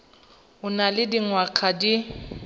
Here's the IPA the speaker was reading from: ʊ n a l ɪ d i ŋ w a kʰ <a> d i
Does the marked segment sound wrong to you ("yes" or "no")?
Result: no